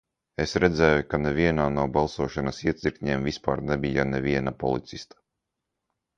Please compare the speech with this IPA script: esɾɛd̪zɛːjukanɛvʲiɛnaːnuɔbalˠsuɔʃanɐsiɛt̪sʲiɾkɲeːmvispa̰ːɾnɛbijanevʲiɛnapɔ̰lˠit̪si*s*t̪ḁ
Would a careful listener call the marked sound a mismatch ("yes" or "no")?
no